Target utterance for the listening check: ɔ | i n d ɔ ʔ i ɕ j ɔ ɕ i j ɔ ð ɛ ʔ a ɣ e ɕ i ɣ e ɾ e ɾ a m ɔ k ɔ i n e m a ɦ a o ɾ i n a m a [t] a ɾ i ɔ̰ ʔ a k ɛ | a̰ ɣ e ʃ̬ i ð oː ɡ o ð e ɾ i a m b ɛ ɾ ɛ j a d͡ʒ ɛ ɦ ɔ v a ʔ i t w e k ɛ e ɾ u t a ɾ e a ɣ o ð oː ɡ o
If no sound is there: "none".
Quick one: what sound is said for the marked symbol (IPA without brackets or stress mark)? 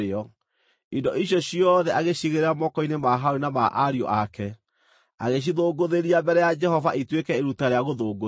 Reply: ʔ